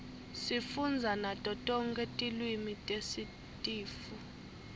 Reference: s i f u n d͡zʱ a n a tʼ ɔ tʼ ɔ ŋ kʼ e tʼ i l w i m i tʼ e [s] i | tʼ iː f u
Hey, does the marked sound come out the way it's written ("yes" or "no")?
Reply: yes